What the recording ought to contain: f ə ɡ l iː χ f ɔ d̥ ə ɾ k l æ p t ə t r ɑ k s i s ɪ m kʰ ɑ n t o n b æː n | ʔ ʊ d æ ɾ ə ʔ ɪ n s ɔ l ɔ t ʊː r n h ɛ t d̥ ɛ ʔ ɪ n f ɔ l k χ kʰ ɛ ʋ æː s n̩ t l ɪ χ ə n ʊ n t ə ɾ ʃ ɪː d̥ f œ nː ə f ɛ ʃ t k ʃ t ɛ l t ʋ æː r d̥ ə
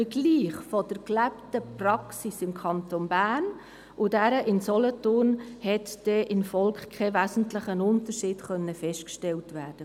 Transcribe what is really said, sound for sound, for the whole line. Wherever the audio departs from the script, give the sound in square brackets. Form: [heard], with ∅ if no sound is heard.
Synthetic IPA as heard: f ə ɡ l iː χ f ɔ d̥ ə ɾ k l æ p t ə [p] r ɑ k s i s ɪ m kʰ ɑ n t o n b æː n | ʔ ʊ d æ ɾ ə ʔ ɪ n s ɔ l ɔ t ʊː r n h ɛ t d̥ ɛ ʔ ɪ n f ɔ l k χ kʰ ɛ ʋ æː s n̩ t l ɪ χ ə n ʊ n t ə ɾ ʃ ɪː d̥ [χ] œ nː ə f ɛ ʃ t k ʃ t ɛ l t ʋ æː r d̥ ə